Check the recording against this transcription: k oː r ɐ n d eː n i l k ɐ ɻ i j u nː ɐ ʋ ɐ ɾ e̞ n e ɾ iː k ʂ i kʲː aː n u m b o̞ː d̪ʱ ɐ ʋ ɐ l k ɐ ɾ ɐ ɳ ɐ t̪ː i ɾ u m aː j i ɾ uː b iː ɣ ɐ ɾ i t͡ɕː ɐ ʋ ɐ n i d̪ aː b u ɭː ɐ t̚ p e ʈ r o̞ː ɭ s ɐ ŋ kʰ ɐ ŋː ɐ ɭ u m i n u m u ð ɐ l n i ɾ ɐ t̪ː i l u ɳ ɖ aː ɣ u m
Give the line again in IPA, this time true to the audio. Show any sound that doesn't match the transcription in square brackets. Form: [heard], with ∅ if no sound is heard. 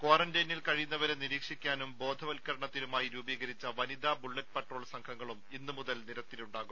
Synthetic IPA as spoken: k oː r ɐ n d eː n i l k ɐ ɻ i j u nː ɐ ʋ ɐ ɾ e̞ n [i] ɾ iː k ʂ i kʲː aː n u m b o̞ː d̪ʱ ɐ ʋ ɐ l k ɐ ɾ ɐ ɳ ɐ t̪ː i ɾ u m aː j i ɾ uː b iː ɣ ɐ ɾ i t͡ɕː ɐ ʋ ɐ n i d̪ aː b u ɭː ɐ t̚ p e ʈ r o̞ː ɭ s ɐ ŋ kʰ ɐ ŋː ɐ ɭ u m i [nː] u m u ð ɐ l n i ɾ ɐ t̪ː i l u ɳ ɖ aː ɣ u m